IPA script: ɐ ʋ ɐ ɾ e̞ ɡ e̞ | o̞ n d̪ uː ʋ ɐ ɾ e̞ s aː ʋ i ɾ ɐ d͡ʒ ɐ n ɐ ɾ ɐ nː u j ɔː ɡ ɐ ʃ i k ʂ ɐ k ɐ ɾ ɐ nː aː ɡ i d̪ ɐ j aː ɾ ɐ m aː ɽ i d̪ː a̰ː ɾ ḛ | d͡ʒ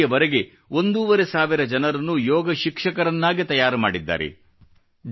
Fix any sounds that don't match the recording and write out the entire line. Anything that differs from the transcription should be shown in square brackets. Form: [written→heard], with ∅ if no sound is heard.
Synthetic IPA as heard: ɐ ʋ ɐ ɾ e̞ ɡ e̞ | o̞ n d̪ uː ʋ ɐ ɾ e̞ s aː ʋ i ɾ ɐ d͡ʒ ɐ n ɐ ɾ ɐ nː u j ɔː ɡ ɐ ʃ i k ʂ ɐ k ɐ ɾ ɐ nː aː ɡ i [d̪→t̪] ɐ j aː ɾ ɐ m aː ɽ i d̪ː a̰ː ɾ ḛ | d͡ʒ